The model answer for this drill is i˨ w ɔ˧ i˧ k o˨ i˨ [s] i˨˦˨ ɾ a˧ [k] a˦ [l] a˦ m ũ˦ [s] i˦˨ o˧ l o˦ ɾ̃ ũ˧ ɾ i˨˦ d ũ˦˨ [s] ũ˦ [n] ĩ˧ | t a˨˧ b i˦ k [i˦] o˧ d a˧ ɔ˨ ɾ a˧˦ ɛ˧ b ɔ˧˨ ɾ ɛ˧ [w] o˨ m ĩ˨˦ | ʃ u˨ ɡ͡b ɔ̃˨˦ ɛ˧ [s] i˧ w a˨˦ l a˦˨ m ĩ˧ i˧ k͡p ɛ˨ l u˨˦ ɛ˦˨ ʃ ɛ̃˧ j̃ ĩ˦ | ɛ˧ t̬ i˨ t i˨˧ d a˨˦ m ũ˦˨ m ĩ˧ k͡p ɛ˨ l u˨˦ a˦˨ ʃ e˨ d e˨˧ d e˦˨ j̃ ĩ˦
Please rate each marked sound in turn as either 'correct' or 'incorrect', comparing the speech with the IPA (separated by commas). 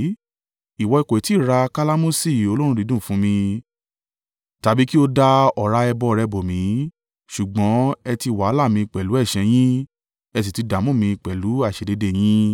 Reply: incorrect, correct, correct, correct, incorrect, incorrect, correct, incorrect, incorrect